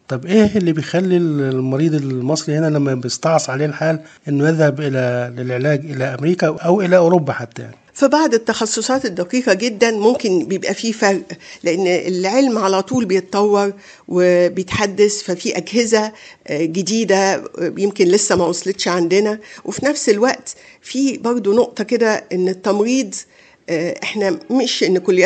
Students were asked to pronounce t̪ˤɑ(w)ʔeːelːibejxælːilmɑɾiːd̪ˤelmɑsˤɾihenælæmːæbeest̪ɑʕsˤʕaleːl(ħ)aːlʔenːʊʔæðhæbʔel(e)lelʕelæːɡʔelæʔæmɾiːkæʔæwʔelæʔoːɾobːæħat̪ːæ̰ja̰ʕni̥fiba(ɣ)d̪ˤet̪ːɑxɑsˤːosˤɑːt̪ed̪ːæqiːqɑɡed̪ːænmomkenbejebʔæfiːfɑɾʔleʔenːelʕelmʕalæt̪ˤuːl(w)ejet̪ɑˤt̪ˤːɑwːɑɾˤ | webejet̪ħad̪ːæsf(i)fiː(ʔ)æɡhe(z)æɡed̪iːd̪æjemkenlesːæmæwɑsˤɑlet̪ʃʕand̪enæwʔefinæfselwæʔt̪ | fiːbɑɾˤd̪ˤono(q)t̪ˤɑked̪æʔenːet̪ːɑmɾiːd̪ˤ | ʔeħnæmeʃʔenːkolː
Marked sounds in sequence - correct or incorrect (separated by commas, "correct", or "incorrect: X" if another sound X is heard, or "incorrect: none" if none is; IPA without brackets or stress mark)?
incorrect: b, correct, incorrect: æ, incorrect: ʕ, incorrect: b, incorrect: æ, correct, correct, incorrect: ʔ